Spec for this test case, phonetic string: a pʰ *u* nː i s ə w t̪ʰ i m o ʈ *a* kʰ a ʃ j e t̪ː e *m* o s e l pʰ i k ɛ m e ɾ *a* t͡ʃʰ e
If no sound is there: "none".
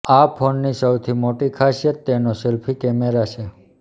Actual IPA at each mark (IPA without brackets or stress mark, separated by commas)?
o, i, n, a